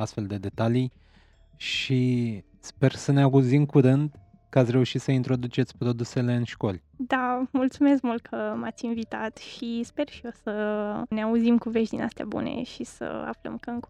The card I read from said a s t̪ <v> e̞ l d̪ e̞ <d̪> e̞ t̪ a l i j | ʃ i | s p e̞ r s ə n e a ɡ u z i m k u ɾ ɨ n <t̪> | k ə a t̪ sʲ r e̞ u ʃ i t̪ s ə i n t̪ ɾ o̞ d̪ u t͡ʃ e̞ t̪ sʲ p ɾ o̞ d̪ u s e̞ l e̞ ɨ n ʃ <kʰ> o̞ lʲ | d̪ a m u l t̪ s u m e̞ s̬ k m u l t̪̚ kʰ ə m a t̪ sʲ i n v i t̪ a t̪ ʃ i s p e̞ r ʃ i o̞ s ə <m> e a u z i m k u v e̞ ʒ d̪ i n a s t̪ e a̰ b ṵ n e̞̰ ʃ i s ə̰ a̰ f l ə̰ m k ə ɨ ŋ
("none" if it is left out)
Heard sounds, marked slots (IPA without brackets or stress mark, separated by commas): f, d̪, d̪, k, n